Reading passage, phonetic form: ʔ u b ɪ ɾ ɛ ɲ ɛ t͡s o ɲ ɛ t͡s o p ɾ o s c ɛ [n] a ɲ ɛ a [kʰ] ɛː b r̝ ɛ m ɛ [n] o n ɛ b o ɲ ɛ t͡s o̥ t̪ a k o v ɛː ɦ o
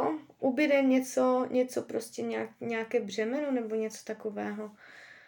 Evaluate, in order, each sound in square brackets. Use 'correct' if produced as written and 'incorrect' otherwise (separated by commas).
incorrect, incorrect, correct